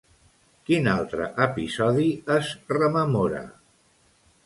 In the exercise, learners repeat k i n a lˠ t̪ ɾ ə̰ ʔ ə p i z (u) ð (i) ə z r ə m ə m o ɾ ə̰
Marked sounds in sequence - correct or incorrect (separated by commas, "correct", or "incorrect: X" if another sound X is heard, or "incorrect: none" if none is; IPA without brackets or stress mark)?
incorrect: ɔ, correct